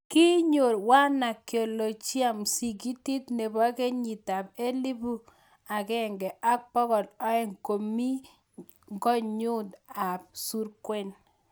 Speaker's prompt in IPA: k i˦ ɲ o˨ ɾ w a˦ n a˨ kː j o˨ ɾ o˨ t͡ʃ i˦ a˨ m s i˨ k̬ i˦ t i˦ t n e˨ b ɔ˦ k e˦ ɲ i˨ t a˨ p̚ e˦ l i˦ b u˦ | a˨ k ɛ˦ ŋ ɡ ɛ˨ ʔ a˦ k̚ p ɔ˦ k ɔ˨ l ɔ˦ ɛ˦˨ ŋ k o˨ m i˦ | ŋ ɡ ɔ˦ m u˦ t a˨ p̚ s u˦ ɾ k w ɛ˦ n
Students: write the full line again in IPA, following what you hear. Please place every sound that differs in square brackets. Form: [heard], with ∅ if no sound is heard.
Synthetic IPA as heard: k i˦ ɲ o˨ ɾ w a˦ n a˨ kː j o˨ [l] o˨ t͡ʃ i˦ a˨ m s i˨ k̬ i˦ t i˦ t n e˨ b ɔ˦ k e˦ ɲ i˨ t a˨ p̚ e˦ l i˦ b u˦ | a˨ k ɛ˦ ŋ ɡ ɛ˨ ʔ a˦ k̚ p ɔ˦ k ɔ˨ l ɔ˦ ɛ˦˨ ŋ k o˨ m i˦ | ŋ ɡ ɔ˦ [ɲ] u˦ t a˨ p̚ s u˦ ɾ k w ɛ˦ n